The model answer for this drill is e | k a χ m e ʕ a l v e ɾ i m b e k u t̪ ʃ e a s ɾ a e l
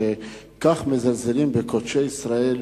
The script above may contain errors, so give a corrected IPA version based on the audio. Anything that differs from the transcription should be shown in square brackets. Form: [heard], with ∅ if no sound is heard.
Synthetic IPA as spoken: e | k a χ m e [z] a l [z] e [l] i m b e k [o] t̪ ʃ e [i] s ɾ a e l